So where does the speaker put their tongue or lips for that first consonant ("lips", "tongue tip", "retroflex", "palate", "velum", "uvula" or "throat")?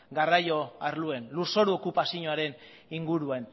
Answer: velum